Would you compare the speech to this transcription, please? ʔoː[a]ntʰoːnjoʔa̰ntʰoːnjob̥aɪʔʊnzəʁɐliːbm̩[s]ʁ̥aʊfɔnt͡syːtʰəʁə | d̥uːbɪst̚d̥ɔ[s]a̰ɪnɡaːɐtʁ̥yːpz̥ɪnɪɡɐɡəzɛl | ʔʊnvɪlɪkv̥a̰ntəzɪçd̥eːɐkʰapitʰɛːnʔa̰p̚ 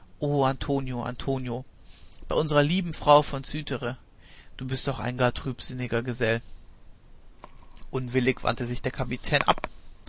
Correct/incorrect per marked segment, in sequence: correct, incorrect: f, incorrect: χ

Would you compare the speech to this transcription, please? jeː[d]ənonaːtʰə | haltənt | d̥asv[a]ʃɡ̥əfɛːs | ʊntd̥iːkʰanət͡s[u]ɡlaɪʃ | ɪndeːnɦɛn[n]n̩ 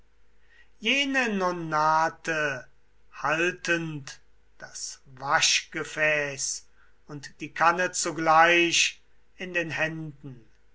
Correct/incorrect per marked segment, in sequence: incorrect: n, correct, correct, incorrect: d

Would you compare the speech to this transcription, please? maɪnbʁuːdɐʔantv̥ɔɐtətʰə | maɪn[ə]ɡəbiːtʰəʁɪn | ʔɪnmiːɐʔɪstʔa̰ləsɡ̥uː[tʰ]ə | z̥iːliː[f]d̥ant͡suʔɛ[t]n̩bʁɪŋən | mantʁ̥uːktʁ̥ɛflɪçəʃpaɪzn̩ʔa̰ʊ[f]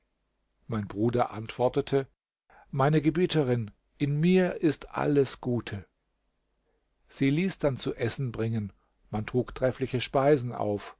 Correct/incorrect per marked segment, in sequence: correct, correct, incorrect: s, incorrect: s, correct

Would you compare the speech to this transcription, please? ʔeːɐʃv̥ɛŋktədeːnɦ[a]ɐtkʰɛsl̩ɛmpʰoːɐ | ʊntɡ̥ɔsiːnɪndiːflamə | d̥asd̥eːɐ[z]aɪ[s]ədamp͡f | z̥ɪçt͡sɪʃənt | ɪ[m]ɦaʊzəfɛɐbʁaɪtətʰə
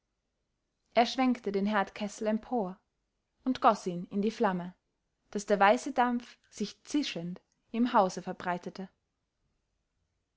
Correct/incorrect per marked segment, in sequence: incorrect: ɛ, incorrect: v, correct, correct

